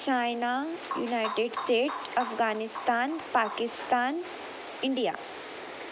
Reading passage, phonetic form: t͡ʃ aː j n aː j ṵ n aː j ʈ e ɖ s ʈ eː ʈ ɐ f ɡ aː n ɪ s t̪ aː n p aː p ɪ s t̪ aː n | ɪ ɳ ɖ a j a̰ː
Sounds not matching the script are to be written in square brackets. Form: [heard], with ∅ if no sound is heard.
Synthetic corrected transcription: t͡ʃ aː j n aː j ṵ n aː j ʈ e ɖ s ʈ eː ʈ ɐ f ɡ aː n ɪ s t̪ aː n p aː [k] ɪ s t̪ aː n | ɪ ɳ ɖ [i] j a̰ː